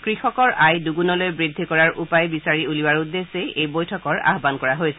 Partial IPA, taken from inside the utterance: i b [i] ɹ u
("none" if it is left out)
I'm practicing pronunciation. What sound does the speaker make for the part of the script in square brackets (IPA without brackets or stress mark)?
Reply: a